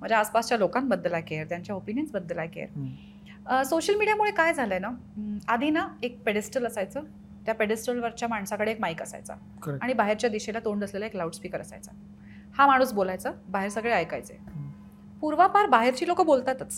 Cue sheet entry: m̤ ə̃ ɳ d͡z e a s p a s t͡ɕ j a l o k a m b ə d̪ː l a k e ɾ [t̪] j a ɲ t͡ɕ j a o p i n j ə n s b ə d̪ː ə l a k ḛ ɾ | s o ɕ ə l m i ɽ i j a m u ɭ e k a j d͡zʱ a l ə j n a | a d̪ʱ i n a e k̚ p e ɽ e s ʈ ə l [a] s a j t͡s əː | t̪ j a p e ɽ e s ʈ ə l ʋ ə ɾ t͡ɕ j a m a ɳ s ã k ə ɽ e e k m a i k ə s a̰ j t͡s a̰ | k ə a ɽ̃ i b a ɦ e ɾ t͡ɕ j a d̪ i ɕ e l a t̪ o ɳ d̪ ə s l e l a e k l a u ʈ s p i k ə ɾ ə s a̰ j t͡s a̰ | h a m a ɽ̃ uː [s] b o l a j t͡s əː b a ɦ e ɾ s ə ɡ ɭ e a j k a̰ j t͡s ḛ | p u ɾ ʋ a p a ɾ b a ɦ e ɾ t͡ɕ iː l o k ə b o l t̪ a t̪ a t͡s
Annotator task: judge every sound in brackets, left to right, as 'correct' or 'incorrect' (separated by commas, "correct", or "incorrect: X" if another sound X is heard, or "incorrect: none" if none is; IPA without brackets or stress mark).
correct, incorrect: ə, correct